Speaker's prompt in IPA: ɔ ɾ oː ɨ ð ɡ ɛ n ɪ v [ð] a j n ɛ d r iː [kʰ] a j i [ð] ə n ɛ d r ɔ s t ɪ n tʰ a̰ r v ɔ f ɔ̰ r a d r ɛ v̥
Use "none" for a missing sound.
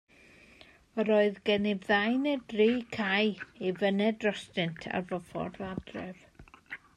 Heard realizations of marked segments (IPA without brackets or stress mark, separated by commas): ð, kʰ, v